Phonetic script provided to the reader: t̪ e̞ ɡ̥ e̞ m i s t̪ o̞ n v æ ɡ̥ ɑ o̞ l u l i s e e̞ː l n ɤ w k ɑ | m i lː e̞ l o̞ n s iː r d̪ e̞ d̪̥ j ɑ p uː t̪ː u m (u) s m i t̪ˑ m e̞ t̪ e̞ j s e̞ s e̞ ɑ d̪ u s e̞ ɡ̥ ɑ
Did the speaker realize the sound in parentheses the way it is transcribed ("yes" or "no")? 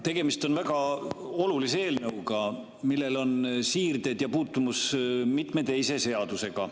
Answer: yes